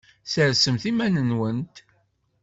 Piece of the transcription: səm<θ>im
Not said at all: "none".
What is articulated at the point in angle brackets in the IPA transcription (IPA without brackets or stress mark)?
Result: θ